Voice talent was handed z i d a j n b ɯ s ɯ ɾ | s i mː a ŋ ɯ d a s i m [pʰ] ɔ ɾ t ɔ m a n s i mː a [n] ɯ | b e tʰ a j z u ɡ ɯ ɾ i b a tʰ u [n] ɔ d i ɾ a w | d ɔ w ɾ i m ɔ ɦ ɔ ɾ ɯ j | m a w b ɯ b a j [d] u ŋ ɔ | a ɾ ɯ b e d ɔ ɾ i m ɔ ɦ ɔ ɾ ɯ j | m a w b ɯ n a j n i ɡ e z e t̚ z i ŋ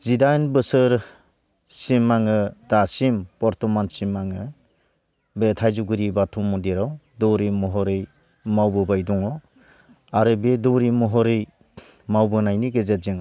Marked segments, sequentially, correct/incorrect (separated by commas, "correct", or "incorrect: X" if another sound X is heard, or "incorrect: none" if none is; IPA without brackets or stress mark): incorrect: p, incorrect: ŋ, incorrect: m, correct